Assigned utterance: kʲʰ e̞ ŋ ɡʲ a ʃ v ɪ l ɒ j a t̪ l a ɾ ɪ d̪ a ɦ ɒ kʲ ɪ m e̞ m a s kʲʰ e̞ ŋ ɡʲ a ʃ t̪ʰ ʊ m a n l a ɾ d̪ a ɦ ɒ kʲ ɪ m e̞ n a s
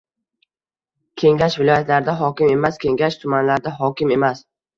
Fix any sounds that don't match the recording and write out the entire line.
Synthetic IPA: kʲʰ e̞ ŋ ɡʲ a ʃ v ɪ l ɒ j a t̪ l a ɾ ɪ d̪ a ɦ ɒ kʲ ɪ m e̞ m a s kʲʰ e̞ ŋ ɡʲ a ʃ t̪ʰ ʊ m a n l a ɾ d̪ a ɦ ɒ kʲ ɪ m e̞ m a s